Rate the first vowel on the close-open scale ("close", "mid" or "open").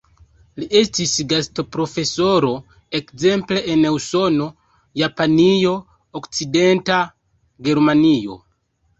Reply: close